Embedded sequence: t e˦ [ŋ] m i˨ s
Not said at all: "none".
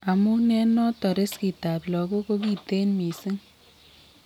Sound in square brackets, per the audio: n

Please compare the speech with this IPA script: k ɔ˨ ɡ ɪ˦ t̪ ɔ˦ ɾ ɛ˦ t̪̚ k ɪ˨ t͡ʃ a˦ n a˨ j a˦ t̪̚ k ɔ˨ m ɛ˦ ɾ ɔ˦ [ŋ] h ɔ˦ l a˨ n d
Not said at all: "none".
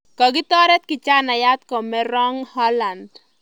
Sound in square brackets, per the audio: ŋ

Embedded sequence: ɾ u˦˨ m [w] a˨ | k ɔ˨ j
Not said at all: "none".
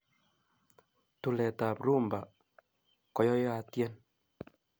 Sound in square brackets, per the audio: b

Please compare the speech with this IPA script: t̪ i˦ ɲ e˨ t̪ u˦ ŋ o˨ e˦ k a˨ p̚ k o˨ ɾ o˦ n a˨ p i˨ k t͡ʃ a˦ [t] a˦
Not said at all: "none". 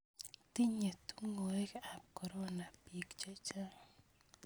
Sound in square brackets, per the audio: t͡ʃ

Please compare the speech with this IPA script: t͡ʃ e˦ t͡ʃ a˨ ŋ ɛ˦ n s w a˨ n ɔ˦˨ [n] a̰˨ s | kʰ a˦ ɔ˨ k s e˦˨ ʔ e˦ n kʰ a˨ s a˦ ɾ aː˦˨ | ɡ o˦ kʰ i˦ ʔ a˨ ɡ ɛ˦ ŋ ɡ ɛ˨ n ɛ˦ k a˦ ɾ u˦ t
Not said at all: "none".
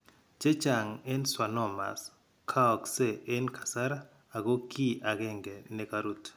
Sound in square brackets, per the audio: m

